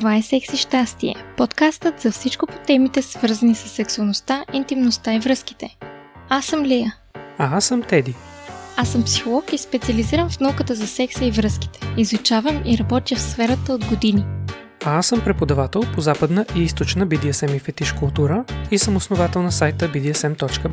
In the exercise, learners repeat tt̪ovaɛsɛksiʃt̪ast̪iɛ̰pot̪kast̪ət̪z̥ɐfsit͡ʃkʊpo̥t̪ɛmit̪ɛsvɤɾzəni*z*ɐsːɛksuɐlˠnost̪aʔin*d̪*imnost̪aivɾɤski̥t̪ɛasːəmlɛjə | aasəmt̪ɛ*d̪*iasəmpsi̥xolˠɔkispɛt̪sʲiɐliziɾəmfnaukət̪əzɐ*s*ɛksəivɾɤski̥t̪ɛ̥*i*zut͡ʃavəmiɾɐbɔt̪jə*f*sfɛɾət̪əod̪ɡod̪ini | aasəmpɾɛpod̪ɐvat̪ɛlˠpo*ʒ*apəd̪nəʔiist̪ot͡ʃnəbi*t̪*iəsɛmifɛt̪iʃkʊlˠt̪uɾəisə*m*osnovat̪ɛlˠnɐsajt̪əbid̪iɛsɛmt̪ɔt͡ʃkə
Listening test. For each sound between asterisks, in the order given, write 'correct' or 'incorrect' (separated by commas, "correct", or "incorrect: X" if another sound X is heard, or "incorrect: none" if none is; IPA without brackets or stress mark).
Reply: incorrect: s, incorrect: t̪, correct, correct, correct, correct, incorrect: z, incorrect: d̪, correct